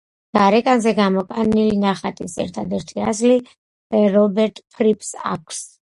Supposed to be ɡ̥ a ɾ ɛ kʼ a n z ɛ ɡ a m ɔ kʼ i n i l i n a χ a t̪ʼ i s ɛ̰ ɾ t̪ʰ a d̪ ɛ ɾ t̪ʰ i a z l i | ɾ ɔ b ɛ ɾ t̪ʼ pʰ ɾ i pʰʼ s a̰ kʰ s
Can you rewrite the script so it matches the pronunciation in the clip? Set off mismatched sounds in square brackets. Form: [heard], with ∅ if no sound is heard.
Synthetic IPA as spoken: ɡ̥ a ɾ ɛ kʼ a n z ɛ ɡ a m ɔ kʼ [a] n i l i n a χ a t̪ʼ i s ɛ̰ ɾ t̪ʰ a d̪ ɛ ɾ t̪ʰ i a z l i | ɾ ɔ b ɛ ɾ t̪ʼ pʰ ɾ i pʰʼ s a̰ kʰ s